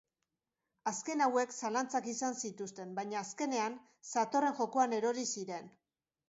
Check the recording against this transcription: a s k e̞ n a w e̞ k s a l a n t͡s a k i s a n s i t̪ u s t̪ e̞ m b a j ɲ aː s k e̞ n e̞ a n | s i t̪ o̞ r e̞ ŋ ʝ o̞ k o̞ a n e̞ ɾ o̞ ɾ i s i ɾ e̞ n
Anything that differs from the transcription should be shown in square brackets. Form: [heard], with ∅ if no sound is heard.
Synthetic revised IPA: a s k e̞ n a w e̞ k s a l a n t͡s a k i s a n s i t̪ u s t̪ e̞ m b a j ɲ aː s k e̞ n e̞ a n | s [a] t̪ o̞ r e̞ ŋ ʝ o̞ k o̞ a n e̞ ɾ o̞ ɾ i s i ɾ e̞ n